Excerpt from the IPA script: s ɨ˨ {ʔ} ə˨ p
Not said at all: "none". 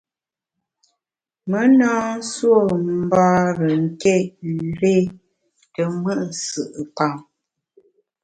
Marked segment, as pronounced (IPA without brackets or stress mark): ʔ